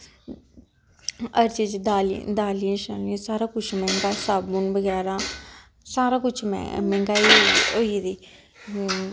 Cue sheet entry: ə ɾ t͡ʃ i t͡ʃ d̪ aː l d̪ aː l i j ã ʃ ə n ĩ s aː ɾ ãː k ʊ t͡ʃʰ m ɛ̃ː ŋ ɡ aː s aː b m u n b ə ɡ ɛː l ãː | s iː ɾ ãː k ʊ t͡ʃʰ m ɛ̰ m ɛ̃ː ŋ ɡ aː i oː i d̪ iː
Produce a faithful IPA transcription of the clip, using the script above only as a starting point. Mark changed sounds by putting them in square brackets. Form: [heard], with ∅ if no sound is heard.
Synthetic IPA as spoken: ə ɾ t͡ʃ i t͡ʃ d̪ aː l d̪ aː l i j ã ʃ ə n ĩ s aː ɾ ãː k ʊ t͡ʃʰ m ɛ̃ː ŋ ɡ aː s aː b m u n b ə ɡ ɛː [ɾ] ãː | s [aː] ɾ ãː k ʊ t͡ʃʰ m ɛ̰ m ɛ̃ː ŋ ɡ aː i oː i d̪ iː